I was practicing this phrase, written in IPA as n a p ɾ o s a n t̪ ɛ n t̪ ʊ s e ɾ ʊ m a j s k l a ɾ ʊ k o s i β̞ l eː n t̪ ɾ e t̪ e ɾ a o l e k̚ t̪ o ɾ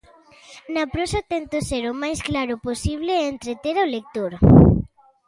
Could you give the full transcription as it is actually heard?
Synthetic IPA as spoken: n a p ɾ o s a t̪ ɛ n t̪ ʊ s e ɾ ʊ m a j s k l a ɾ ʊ p o s i β̞ l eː n t̪ ɾ e t̪ e ɾ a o l e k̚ t̪ o ɾ